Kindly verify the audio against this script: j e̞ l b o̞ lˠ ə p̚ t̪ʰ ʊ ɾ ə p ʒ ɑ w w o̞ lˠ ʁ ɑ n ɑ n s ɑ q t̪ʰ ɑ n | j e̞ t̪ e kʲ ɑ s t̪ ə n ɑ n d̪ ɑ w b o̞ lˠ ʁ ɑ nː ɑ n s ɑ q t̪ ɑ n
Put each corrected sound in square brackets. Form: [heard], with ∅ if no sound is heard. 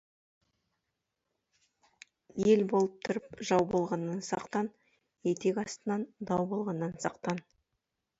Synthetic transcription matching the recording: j e̞ l b o̞ lˠ ə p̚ t̪ʰ ʊ ɾ ə p ʒ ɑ w [b] o̞ lˠ ʁ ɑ [nː] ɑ n s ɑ q [t̪] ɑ n | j e̞ t̪ e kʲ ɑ s t̪ ə n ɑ n d̪ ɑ w b o̞ lˠ ʁ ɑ nː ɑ n s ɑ q t̪ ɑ n